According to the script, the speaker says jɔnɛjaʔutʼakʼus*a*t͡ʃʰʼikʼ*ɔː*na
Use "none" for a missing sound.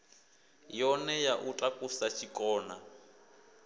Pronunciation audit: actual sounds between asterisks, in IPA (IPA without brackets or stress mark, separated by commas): a, ɔː